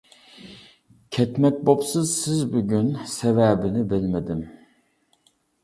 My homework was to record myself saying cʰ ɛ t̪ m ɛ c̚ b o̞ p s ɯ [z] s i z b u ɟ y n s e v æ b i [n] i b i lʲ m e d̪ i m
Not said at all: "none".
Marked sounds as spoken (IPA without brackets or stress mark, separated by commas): z, n